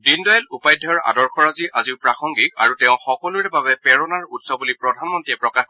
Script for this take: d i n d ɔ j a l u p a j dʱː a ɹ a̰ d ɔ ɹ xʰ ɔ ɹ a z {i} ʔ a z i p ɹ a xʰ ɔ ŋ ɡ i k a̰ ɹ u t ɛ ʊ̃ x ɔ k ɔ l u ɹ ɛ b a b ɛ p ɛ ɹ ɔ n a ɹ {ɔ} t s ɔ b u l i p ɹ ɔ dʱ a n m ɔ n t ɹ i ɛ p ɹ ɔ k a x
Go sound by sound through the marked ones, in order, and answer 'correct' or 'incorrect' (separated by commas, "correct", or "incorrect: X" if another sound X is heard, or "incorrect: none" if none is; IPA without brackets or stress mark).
correct, incorrect: u